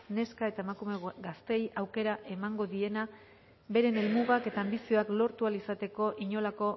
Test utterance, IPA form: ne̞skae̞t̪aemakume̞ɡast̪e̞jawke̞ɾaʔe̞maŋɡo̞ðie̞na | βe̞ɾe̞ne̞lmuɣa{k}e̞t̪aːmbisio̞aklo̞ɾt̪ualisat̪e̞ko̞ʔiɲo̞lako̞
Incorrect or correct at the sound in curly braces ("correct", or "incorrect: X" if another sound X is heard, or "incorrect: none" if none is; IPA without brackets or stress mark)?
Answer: correct